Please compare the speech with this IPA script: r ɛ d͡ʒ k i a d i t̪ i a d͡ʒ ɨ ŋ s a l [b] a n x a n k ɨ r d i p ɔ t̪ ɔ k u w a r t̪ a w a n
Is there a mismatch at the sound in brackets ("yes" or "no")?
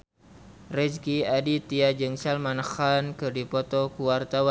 yes